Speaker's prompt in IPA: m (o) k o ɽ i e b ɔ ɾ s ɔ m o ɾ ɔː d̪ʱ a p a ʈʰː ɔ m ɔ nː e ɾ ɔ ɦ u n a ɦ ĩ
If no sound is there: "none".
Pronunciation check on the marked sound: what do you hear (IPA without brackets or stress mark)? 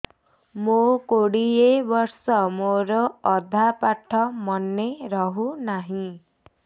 o